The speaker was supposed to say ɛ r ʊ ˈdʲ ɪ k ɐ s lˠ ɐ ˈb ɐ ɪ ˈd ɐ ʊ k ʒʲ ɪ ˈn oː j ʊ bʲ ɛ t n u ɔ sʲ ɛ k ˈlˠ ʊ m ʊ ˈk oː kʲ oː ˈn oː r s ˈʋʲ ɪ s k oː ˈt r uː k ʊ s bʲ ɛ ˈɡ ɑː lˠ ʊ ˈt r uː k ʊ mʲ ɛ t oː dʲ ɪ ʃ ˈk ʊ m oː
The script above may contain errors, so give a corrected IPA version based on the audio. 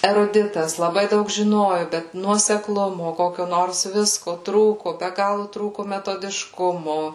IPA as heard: ɛ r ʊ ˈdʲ ɪ t ɐ s lˠ ɐ ˈb ɐ ɪ ˈd ɐ ʊ k ʒʲ ɪ ˈn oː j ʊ bʲ ɛ t n u ɔ sʲ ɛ k ˈlˠ ʊ m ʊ ˈk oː kʲ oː ˈn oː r s ˈʋʲ ɪ s k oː ˈt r uː k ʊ bʲ ɛ ˈɡ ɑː lˠ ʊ ˈt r uː k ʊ mʲ ɛ t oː dʲ ɪ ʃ ˈk ʊ m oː